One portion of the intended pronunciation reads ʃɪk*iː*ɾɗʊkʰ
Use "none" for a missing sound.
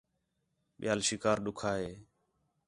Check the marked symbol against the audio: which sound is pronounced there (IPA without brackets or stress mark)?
aː